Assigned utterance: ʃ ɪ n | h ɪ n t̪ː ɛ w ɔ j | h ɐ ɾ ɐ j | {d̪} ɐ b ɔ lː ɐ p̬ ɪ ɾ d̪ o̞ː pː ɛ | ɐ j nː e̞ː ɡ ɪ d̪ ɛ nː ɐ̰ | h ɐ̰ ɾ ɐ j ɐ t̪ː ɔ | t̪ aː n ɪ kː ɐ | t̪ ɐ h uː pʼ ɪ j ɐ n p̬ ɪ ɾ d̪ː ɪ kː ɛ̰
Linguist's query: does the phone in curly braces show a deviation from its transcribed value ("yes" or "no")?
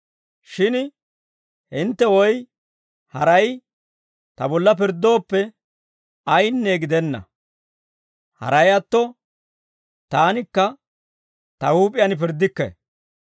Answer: yes